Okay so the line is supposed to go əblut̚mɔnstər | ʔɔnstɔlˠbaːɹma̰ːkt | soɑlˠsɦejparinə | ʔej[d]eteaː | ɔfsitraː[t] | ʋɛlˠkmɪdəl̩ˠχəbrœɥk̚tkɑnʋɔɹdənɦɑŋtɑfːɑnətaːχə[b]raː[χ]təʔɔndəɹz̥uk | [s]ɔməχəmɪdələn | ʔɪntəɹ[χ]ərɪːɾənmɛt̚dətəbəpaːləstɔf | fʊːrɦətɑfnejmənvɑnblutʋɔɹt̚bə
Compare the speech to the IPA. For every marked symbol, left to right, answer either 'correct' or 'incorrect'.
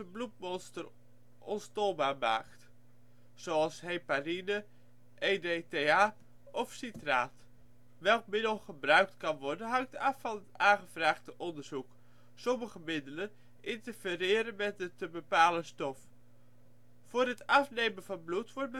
correct, correct, incorrect, correct, correct, incorrect

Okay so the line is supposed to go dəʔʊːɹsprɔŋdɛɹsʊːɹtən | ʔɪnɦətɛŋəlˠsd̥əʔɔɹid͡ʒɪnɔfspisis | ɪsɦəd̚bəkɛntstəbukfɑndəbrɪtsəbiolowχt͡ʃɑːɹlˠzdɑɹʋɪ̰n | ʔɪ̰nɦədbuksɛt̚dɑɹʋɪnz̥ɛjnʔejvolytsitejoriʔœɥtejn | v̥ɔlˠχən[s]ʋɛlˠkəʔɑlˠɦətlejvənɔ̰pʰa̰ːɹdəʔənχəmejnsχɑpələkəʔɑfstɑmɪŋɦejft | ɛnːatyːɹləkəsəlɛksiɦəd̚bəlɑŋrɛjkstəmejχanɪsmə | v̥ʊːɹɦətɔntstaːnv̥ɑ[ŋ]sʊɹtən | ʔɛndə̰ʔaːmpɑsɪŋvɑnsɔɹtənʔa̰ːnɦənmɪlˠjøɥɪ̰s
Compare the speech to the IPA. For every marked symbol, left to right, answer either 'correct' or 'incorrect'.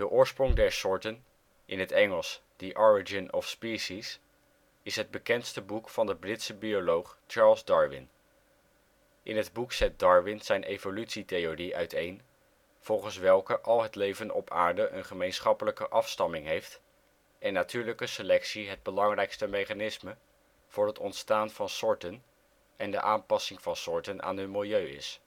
correct, incorrect

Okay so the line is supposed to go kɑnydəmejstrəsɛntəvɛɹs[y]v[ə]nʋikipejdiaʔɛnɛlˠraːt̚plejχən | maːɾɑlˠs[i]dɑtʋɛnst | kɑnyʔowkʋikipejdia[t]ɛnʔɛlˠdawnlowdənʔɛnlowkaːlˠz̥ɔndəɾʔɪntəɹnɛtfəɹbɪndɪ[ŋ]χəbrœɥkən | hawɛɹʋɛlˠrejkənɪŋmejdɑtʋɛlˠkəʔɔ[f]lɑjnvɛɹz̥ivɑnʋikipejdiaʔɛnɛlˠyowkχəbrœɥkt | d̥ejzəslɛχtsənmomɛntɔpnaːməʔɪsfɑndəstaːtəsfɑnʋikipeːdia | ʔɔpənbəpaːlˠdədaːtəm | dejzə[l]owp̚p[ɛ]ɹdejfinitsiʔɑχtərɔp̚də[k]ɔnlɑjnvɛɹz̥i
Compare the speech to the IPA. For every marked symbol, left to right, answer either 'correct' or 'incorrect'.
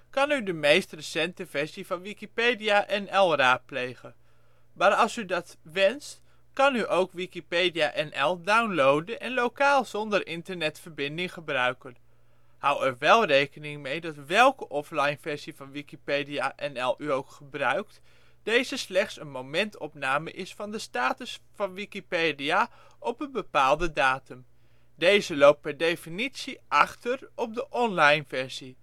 incorrect, incorrect, incorrect, incorrect, correct, correct, correct, correct, incorrect

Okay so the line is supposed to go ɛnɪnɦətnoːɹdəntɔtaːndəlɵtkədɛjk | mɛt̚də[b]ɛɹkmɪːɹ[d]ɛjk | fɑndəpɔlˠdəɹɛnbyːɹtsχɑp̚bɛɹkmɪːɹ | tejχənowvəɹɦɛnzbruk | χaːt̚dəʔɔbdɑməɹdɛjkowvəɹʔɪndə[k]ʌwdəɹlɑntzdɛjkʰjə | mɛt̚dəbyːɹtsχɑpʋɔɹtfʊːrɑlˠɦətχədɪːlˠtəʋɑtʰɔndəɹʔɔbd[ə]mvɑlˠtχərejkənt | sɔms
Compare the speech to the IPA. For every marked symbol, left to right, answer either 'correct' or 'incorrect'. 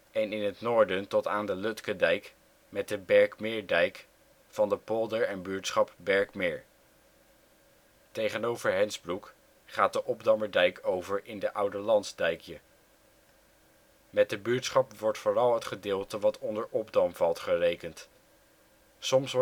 correct, correct, incorrect, incorrect

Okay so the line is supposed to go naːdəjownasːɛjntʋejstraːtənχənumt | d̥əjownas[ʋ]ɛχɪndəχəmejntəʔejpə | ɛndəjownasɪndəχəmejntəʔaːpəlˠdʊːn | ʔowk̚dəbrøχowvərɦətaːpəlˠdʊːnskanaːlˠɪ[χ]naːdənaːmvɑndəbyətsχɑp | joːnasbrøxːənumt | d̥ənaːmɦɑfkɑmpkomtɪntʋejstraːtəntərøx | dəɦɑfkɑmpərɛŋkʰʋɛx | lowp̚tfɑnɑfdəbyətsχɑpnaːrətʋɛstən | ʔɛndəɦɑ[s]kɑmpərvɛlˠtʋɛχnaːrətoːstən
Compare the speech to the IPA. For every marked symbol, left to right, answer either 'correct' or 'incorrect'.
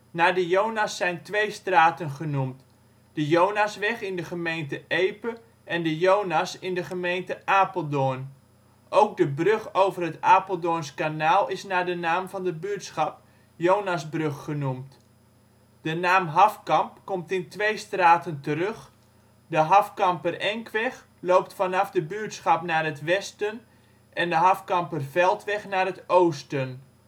correct, incorrect, incorrect

